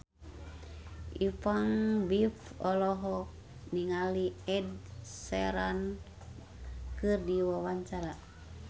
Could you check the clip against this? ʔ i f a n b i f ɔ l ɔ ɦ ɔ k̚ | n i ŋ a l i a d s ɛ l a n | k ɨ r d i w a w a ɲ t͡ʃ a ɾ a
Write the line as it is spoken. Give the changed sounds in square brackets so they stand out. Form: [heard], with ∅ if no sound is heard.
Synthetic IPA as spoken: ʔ i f a [ŋ] b i f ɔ l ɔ ɦ ɔ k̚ | n i ŋ a l i [ɛ] d s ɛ [ɾ] a n | k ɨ r d i w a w a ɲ t͡ʃ a ɾ a